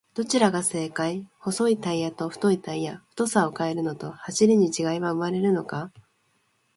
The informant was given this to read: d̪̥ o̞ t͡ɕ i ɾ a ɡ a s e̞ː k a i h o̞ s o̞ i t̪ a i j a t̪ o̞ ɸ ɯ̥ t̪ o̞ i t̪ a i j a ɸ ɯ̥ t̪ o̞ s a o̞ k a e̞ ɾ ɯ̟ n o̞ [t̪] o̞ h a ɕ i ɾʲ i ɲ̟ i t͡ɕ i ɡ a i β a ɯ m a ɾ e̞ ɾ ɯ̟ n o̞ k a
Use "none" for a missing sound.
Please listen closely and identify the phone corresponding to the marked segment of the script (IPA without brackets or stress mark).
t̪